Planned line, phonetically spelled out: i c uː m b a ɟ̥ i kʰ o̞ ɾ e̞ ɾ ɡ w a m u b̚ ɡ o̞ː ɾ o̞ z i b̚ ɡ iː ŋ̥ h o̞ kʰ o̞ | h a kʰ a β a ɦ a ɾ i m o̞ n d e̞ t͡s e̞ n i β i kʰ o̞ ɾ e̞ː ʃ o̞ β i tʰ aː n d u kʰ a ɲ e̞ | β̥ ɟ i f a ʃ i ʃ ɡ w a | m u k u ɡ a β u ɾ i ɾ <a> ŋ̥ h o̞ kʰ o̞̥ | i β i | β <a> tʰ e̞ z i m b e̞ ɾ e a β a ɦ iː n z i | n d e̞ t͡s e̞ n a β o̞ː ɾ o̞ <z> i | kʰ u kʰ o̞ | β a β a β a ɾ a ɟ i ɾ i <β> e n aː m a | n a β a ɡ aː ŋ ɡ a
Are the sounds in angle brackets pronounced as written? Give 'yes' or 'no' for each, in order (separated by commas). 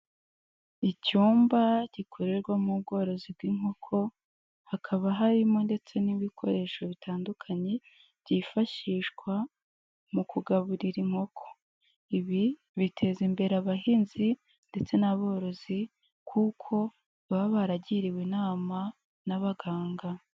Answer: no, no, yes, no